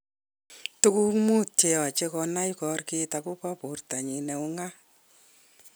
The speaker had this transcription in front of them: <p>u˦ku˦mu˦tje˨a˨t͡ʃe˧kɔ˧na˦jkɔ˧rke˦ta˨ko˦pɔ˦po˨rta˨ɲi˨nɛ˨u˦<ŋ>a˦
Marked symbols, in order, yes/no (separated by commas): no, yes